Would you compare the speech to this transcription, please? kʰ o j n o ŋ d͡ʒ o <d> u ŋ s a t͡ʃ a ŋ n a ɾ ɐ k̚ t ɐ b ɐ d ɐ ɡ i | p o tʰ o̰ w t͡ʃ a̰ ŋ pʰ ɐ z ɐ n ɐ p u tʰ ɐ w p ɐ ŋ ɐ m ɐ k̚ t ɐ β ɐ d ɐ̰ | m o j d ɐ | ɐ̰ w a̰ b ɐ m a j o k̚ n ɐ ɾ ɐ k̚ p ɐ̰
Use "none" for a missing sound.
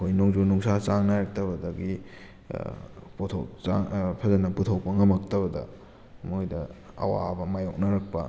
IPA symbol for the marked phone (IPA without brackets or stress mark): n